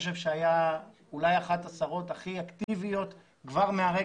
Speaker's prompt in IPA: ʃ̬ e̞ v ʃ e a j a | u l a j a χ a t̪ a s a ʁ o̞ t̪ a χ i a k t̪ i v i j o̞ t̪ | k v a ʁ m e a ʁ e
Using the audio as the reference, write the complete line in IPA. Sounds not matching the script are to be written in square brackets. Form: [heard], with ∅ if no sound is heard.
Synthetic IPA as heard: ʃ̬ e̞ v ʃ e a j a | u l a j a χ a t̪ a s a ʁ o̞ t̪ a χ i a k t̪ i v i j o̞ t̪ | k v a ʁ m e a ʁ e